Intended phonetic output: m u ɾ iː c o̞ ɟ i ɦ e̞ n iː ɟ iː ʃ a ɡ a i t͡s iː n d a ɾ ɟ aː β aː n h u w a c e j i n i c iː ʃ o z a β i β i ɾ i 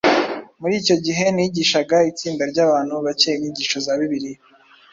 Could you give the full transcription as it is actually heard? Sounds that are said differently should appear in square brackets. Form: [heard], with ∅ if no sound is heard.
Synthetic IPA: m u ɾ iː c o̞ ɟ i ɦ e̞ n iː ɟ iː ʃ a ɡ a i t͡s iː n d a ɾ ɟ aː β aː n h u [β] a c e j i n i [ɟ] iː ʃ o z a β i β i ɾ i